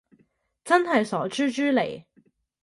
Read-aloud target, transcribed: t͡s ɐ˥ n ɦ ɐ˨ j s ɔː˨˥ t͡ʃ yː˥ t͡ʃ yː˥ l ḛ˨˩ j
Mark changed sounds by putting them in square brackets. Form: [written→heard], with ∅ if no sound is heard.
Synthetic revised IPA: t͡s ɐ˥ n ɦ ɐ˨ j s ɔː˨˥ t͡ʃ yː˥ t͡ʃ yː˥ l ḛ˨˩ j